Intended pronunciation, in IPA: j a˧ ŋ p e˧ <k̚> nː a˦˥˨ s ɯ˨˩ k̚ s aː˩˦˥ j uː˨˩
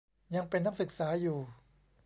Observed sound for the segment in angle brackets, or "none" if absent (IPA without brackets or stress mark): none